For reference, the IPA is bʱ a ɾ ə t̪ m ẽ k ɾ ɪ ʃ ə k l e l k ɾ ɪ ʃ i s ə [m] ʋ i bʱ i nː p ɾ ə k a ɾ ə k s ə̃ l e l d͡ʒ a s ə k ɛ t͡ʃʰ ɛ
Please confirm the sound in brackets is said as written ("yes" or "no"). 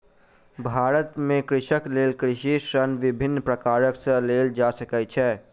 no